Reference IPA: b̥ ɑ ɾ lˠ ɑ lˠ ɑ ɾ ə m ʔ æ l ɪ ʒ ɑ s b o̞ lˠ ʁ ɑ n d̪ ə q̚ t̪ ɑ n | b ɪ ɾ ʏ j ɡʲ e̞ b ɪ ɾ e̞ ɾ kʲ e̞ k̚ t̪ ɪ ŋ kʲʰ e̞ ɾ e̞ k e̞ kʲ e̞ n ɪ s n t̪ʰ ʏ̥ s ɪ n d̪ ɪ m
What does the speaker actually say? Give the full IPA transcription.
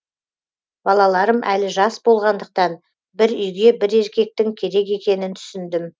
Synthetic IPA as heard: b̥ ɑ lˠ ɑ lˠ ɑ ɾ ə m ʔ æ l ɪ ʒ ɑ s b o̞ lˠ ʁ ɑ n d̪ ə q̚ t̪ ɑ n | b ɪ ɾ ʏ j ɡʲ e̞ b ɪ ɾ e̞ ɾ kʲ e̞ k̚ t̪ ɪ ŋ kʲʰ e̞ ɾ e̞ k e̞ kʲ e̞ n ɪ n t̪ʰ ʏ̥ s ɪ n d̪ ɪ m